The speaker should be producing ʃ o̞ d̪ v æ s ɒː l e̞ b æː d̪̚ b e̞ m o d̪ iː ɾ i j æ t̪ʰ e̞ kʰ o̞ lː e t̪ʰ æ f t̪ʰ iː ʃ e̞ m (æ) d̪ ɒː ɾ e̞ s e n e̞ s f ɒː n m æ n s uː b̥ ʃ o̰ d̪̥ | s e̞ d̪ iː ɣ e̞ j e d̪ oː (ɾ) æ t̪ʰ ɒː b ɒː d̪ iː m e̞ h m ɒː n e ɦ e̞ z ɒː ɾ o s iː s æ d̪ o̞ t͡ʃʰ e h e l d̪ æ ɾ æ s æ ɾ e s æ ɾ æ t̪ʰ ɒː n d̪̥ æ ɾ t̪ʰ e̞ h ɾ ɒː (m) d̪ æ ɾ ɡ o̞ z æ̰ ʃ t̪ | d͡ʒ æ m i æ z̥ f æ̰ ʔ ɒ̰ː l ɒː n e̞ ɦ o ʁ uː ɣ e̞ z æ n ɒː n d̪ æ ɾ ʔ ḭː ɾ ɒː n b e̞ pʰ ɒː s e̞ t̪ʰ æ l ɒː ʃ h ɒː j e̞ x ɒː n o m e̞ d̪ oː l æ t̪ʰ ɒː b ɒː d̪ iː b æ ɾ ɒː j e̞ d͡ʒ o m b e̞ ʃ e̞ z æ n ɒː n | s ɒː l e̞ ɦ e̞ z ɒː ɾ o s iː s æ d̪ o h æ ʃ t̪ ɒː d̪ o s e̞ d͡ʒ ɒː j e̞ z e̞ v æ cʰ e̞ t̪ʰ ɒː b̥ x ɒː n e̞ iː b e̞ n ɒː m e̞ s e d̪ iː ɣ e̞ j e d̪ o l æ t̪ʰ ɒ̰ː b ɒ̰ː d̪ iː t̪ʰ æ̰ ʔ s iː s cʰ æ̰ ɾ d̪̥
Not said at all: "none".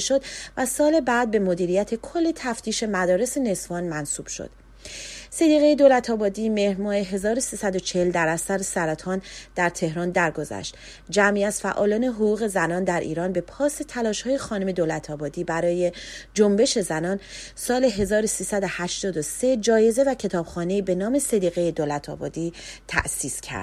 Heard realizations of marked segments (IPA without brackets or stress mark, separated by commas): æ, l, n